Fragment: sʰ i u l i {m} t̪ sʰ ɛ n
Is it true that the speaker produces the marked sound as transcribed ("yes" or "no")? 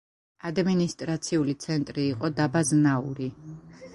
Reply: no